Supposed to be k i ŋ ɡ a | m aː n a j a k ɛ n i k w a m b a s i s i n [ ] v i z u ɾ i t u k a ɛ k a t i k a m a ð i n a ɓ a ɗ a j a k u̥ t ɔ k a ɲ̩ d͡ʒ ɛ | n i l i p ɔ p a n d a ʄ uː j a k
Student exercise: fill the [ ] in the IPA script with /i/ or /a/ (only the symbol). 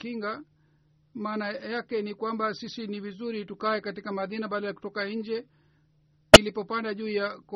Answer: i